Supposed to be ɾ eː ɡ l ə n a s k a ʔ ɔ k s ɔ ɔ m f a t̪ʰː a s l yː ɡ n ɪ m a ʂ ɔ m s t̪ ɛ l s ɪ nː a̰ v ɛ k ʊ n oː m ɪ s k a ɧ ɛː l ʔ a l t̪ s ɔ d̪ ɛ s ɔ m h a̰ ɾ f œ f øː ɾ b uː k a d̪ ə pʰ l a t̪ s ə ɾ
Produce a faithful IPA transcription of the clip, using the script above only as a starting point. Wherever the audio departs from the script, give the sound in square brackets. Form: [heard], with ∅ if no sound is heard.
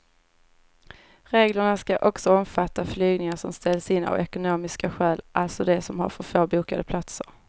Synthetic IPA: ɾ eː ɡ l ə [ɳ] a s k a ʔ ɔ k s ɔ ɔ m f a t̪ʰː a [f] l yː ɡ n ɪ [ŋ] a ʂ ɔ m s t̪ ɛ l s ɪ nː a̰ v ɛ k ʊ n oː m ɪ s k a ɧ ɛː l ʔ a l t̪ s ɔ d̪ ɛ s ɔ m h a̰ ɾ f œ f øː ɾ b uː k a d̪ ə pʰ l a t̪ s ə ɾ